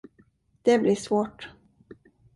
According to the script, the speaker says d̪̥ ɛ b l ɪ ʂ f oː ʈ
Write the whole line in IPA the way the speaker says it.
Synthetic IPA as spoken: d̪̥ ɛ b l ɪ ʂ v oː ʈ